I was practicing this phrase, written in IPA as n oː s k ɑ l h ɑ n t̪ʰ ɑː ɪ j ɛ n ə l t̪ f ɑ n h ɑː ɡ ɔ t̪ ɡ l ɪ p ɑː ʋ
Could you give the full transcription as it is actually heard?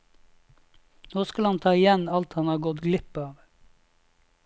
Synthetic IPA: n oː s k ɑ l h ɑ n t̪ʰ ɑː ɪ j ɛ n ɑ l t̪ h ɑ n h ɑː ɡ ɔ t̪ ɡ l ɪ p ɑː ʋ